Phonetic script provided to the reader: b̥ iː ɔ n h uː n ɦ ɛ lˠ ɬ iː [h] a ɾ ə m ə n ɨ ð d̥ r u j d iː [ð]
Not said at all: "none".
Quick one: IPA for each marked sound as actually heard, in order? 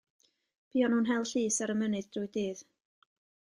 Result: s, ð

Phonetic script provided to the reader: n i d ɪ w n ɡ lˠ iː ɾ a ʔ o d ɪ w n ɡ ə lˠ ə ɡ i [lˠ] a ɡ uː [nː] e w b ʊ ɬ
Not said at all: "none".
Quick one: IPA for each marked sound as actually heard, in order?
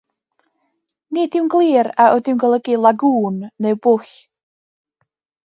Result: lˠ, nː

